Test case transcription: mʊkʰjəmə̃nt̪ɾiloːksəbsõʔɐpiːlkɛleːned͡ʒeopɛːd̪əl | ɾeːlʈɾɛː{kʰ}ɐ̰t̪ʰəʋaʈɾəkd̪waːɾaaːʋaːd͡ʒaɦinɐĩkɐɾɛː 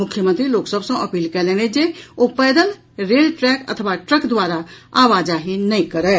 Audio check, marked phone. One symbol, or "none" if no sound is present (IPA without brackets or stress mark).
k